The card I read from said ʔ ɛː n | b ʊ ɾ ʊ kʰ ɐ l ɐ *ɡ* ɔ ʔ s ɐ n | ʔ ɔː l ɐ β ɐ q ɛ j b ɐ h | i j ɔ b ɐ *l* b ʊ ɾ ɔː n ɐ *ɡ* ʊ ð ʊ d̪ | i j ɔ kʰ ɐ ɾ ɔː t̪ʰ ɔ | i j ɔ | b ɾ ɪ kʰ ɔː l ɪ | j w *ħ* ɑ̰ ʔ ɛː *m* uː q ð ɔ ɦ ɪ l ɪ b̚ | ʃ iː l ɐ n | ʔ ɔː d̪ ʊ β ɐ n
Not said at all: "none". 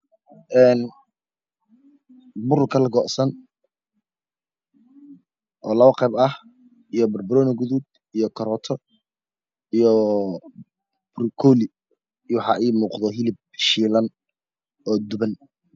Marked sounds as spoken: ɡ, r, ɡ, ħ, m

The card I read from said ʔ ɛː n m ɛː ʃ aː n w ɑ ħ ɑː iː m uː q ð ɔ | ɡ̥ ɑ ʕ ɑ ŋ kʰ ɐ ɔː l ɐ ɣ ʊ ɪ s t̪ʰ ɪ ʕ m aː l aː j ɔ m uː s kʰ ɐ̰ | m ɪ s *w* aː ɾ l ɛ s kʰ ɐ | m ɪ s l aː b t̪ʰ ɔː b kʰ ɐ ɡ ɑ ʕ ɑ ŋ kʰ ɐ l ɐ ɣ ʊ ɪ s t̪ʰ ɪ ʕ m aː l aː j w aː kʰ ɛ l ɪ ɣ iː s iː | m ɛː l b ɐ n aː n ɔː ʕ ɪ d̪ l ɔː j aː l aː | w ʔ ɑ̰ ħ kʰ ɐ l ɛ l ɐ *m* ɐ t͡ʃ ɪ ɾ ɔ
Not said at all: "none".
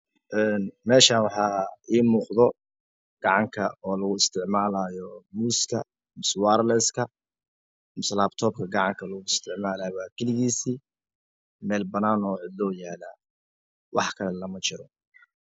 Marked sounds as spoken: w, m

